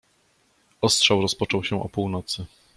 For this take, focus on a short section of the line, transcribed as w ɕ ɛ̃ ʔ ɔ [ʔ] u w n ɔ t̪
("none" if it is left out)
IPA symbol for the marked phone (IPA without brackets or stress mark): p